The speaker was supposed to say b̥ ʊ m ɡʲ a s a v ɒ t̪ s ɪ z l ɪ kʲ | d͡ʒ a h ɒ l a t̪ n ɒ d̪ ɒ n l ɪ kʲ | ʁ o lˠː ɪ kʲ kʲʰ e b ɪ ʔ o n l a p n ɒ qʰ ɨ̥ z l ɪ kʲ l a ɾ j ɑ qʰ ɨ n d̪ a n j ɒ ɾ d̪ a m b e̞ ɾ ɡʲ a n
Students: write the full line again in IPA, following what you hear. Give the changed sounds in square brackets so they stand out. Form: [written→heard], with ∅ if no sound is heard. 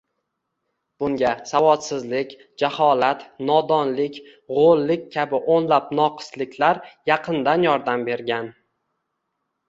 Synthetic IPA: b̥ ʊ [m→ŋ] ɡʲ a s a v ɒ t̪ s ɪ z l ɪ kʲ | d͡ʒ a h ɒ l a t̪ n ɒ d̪ ɒ n l ɪ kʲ | ʁ o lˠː ɪ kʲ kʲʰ [e→a] b ɪ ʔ o n l a p n ɒ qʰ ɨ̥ [z→s] l ɪ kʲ l a ɾ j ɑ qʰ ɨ n d̪ a n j ɒ ɾ d̪ a m b e̞ ɾ ɡʲ a n